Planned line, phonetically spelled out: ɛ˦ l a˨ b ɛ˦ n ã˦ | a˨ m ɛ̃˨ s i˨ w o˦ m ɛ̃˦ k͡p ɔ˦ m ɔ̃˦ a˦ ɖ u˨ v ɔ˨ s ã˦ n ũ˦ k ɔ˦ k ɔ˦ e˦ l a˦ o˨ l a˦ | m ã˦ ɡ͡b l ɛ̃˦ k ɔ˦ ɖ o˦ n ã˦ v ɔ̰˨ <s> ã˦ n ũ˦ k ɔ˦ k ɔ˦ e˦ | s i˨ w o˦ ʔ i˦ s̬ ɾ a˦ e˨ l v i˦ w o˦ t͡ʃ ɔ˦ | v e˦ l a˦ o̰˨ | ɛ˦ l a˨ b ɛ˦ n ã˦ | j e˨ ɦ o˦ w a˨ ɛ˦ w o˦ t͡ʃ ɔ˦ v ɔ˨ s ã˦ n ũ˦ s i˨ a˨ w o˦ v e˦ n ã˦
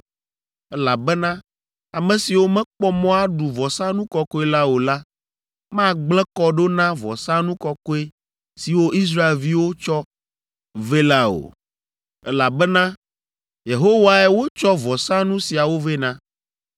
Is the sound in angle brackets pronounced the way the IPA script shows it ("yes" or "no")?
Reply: yes